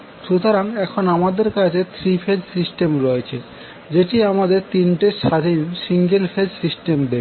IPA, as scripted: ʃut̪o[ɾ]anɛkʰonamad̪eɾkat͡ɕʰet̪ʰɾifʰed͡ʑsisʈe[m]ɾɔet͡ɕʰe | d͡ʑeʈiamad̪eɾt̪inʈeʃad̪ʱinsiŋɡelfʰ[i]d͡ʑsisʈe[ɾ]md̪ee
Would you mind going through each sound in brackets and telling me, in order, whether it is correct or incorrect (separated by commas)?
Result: correct, correct, incorrect, incorrect